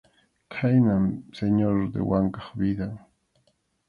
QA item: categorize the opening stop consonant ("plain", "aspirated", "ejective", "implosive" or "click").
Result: aspirated